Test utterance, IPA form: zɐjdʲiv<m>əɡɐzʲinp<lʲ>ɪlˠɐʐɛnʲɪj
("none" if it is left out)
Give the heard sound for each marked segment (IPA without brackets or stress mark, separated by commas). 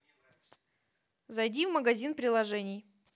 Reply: m, ɾʲ